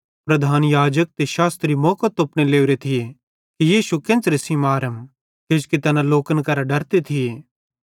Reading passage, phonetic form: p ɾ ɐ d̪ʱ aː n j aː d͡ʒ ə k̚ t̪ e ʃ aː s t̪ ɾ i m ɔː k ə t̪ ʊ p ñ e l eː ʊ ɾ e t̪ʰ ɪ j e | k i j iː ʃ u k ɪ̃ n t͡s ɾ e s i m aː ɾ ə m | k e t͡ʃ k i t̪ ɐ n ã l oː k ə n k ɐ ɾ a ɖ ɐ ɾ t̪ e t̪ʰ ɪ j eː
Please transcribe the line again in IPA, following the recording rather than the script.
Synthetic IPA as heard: p ɾ ɐ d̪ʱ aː n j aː d͡ʒ ə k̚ t̪ e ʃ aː s t̪ ɾ i m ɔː k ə t̪ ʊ p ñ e l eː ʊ ɾ e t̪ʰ ɪ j e | k i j iː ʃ u k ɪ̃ n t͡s ɾ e s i m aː ɾ ə m | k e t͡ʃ k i t̪ ɐ n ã l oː k ə n k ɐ ɾ a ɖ ɐ ɾ t̪ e t̪ʰ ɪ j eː